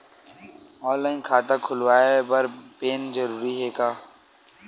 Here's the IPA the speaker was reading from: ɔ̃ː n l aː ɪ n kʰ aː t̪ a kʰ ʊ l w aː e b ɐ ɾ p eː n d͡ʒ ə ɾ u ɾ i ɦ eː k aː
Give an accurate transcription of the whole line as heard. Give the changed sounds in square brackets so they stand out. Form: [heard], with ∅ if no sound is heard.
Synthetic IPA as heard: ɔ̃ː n l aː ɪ n kʰ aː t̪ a kʰ ʊ l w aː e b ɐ ɾ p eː n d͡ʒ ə ɾ [uː] ɾ i ɦ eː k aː